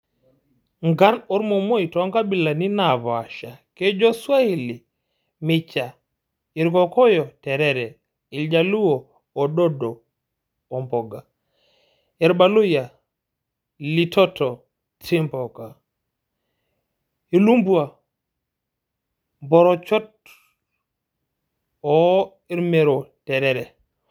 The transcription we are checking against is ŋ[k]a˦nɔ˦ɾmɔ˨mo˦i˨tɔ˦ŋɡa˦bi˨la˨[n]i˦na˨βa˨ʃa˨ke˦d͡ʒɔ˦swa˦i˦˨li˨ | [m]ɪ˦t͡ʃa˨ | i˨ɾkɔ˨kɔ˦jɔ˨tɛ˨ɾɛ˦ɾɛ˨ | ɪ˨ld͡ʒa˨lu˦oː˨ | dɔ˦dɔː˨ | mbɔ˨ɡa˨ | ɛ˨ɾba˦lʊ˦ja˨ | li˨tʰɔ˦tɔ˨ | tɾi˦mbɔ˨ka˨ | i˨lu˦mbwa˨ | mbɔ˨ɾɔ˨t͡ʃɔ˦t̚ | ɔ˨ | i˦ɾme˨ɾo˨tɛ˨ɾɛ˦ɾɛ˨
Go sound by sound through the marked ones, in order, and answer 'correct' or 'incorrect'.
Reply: incorrect: ɡ, correct, correct

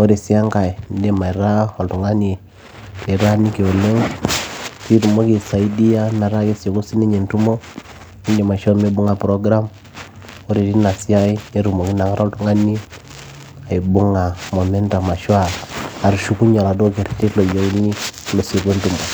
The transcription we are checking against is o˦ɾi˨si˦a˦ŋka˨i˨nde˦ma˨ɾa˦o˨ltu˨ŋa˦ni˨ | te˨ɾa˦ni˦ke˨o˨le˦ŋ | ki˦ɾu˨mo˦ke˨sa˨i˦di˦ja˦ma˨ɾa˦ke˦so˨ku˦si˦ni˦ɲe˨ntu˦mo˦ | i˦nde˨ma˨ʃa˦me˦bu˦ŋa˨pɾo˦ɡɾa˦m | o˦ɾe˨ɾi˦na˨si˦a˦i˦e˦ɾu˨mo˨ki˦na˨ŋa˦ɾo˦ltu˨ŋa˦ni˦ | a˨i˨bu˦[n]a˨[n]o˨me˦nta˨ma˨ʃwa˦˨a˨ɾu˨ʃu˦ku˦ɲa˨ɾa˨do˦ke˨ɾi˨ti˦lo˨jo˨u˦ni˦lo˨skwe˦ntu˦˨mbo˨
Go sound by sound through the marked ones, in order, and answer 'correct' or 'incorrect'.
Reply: incorrect: ŋ, incorrect: m

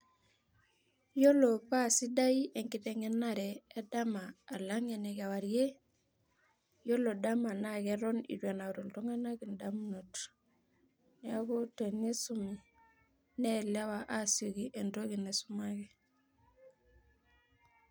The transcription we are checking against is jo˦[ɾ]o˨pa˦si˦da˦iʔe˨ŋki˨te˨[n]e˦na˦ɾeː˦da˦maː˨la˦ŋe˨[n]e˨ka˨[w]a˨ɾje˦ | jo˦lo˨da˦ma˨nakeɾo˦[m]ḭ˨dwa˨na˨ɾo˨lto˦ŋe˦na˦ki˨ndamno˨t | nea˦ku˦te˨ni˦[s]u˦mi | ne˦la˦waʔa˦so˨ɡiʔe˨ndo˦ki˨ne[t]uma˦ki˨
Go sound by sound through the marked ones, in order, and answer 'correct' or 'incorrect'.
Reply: incorrect: l, incorrect: ŋ, correct, correct, incorrect: n, correct, incorrect: s

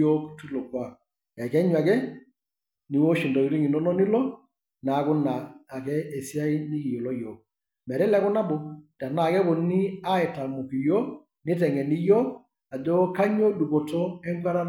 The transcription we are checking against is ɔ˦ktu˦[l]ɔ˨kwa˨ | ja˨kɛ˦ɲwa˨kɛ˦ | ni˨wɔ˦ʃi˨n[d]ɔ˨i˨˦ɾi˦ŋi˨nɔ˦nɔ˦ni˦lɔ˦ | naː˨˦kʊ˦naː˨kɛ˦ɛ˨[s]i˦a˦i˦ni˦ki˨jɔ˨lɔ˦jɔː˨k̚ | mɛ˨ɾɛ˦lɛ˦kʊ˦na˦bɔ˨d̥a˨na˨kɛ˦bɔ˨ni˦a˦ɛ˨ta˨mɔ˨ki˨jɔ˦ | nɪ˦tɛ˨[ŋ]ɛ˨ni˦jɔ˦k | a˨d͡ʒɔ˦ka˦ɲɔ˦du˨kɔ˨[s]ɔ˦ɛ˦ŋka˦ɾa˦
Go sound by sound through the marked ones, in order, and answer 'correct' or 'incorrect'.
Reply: correct, correct, correct, correct, incorrect: t

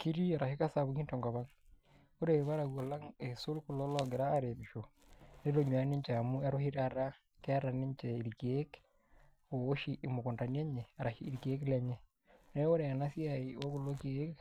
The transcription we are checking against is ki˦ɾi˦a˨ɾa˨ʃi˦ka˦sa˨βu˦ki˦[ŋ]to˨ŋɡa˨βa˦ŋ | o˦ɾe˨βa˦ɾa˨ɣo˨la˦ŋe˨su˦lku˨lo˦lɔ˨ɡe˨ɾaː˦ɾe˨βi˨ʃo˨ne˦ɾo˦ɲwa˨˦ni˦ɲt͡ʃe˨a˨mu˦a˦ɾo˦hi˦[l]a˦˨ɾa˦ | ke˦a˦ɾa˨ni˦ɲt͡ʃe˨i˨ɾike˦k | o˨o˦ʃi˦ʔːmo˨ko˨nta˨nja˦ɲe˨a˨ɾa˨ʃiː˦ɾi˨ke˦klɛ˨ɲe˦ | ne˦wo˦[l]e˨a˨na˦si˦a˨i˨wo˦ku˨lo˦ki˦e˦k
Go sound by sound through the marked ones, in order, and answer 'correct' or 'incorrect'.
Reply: incorrect: n, incorrect: ɾ, incorrect: ɾ

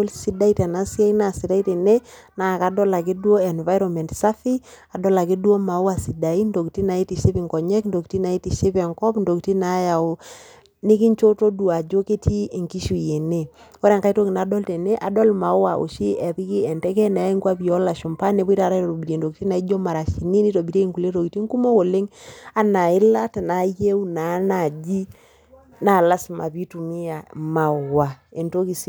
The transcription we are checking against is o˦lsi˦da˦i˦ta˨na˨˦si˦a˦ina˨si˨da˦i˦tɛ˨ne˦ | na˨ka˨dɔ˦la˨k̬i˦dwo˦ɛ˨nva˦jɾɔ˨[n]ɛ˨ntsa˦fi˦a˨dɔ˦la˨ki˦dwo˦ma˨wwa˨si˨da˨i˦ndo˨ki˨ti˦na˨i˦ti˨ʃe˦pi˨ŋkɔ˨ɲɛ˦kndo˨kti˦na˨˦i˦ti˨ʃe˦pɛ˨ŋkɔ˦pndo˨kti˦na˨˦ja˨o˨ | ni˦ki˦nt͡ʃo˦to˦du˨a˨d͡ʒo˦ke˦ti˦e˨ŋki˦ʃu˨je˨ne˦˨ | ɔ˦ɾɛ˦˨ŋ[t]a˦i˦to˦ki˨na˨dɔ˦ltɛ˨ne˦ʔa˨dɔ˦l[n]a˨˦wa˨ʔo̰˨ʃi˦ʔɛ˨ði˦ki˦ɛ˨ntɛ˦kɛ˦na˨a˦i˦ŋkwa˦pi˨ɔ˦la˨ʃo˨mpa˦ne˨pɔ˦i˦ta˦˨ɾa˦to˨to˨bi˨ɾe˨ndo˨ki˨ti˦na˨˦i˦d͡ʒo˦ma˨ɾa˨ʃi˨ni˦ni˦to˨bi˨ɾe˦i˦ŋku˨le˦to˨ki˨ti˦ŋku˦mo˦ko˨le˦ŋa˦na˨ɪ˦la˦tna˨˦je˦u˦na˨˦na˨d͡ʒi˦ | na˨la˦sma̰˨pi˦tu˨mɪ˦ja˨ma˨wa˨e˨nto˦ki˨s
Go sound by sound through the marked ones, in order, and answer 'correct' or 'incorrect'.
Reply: incorrect: m, incorrect: k, incorrect: m

